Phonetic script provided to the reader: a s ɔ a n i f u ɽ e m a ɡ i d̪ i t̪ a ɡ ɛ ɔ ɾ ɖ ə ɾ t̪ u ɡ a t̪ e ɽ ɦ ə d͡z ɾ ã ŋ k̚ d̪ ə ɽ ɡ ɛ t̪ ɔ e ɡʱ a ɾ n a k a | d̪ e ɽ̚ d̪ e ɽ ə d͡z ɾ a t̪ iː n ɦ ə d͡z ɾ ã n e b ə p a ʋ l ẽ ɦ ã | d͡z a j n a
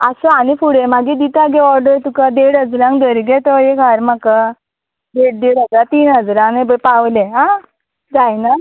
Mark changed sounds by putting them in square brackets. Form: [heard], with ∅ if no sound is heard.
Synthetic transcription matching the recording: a s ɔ a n i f u ɽ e m a ɡ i d̪ i t̪ a ɡ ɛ ɔ ɾ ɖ ə ɾ t̪ u [k] a [d̪] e ɽ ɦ ə d͡z ɾ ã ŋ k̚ d̪ ə [ɾ] ɡ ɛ t̪ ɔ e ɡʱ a ɾ [m] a k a | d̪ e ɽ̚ d̪ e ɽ ə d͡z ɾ a t̪ iː n ɦ ə d͡z ɾ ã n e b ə p a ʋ l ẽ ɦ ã | d͡z a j n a